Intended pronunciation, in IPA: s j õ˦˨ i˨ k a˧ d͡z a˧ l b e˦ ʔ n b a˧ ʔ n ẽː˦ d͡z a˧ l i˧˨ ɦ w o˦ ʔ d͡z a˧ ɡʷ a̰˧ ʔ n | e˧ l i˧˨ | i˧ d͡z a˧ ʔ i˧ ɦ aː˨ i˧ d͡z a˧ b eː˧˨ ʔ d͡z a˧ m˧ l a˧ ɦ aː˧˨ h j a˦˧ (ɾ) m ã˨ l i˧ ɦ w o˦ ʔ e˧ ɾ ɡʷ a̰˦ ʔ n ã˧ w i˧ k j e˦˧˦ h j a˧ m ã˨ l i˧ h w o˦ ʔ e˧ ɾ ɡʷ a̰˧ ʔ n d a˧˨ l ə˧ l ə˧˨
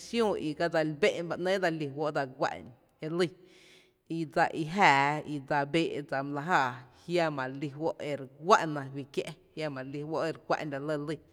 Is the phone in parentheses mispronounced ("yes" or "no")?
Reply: yes